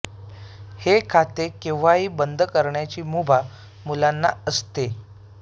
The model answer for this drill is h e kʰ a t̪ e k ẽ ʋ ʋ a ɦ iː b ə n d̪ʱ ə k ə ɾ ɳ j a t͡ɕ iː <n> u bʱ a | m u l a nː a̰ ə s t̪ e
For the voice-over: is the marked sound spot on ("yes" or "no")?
no